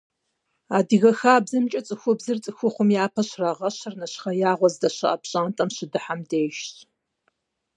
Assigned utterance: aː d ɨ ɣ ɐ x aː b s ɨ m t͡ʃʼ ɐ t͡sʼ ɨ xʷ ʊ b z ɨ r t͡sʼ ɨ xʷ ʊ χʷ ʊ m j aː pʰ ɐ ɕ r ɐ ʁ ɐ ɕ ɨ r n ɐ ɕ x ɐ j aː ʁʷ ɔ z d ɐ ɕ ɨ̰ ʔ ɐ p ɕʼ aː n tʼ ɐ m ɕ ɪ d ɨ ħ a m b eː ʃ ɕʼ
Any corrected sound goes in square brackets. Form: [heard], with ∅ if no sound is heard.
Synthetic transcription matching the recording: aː d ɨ ɣ ɐ x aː b [z] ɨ m t͡ʃʼ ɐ t͡sʼ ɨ xʷ ʊ b z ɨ r t͡sʼ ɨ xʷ ʊ χʷ ʊ m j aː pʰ ɐ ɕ r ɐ ʁ ɐ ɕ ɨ r n ɐ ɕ [χ] ɐ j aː ʁʷ ɔ z d ɐ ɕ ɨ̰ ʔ ɐ p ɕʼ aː n tʼ ɐ m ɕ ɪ d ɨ ħ a m [d] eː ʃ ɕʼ